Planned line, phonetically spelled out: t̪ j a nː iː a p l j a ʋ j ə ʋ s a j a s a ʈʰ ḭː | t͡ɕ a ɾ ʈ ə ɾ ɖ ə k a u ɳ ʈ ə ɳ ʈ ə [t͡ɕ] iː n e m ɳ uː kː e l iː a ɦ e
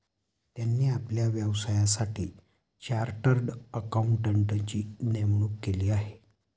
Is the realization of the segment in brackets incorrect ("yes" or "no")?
no